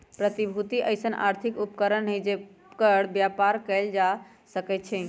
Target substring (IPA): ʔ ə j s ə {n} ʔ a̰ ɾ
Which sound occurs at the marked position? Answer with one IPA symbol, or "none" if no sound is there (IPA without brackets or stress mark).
n